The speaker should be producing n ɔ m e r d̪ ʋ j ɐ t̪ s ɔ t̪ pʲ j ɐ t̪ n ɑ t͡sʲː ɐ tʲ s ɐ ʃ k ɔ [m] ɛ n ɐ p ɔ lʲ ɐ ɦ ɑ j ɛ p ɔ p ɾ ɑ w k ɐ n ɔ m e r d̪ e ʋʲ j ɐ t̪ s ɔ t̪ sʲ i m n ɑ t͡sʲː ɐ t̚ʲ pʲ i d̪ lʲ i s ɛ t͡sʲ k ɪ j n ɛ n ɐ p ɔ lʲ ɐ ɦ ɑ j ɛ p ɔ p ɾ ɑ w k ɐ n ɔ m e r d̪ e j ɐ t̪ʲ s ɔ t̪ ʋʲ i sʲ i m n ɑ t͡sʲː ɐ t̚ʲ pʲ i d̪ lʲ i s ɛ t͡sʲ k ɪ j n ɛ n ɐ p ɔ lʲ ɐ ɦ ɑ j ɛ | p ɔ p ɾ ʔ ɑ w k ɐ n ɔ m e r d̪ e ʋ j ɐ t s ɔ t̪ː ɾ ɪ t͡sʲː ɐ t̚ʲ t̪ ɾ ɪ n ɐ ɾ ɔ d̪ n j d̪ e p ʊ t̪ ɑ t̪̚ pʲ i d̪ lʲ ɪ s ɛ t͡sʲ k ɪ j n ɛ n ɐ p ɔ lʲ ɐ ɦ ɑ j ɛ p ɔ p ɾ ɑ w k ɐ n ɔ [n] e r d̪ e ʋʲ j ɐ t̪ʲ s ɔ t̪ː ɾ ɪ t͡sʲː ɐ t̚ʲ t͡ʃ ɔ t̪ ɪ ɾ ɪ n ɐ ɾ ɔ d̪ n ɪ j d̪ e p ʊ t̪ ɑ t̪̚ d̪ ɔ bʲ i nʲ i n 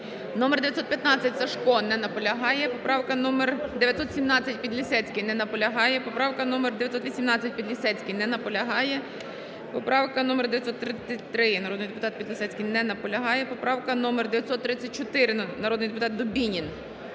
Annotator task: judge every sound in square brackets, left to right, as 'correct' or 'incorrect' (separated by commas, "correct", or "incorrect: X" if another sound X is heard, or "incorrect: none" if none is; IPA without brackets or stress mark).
incorrect: n, incorrect: m